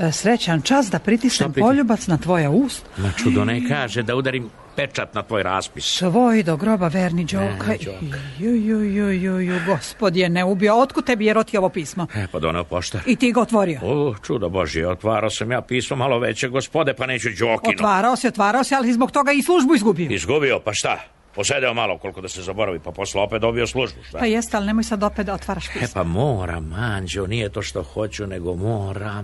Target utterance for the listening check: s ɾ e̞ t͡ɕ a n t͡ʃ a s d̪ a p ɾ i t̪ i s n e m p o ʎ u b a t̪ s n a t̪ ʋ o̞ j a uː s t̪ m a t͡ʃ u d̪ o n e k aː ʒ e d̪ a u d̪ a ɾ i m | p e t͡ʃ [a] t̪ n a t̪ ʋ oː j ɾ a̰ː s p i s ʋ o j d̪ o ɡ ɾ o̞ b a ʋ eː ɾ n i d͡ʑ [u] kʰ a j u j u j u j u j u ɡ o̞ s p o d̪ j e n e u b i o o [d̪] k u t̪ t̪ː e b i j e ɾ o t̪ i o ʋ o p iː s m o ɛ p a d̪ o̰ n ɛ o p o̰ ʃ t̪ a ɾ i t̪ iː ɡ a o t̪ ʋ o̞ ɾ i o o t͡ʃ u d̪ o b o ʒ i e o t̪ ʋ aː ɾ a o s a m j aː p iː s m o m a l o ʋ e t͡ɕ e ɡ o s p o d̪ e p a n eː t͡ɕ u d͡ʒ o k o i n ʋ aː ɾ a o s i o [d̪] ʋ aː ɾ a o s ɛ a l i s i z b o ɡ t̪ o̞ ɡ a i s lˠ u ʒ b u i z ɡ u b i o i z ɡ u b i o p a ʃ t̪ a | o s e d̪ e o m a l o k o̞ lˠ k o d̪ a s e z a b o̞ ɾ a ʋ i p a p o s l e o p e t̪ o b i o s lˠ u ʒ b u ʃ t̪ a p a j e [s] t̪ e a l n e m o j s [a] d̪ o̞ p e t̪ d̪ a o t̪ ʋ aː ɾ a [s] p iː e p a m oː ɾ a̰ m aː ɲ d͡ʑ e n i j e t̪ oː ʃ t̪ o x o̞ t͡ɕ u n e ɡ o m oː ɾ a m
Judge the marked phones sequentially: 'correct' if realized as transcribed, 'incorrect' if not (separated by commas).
correct, incorrect, incorrect, incorrect, correct, correct, incorrect